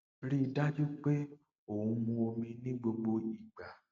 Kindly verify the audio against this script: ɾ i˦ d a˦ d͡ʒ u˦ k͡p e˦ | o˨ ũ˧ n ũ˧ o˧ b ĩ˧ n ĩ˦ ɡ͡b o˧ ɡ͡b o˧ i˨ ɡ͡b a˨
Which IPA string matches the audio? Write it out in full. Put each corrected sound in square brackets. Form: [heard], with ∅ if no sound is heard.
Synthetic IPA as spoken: ɾ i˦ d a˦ d͡ʒ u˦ k͡p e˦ | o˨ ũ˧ [m] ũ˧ o˧ [m] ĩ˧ n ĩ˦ ɡ͡b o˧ ɡ͡b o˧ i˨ ɡ͡b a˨